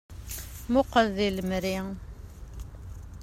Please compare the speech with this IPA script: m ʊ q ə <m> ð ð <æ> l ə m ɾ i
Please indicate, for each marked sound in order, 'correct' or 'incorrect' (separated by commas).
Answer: incorrect, incorrect